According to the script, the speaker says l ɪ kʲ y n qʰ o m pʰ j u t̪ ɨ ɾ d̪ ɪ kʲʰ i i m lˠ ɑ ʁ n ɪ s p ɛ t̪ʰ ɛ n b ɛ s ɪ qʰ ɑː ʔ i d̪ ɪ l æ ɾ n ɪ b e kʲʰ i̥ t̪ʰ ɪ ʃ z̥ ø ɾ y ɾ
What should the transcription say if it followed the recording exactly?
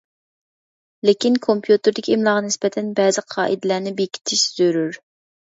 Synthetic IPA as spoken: l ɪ kʲ i n kʰ o m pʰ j u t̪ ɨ ɾ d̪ ɪ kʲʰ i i m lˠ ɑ ʁ n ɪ s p ɛ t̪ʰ ɛ n b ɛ z ɪ qʰ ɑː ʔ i d̪ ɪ l æ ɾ n ɪ b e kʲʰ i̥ t̪ʰ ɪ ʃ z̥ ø ɾ y ɾ